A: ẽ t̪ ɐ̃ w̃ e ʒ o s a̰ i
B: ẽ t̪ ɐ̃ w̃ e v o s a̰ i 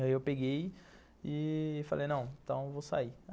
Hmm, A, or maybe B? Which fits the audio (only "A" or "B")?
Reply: B